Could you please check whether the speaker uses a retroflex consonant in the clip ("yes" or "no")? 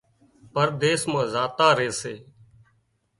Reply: no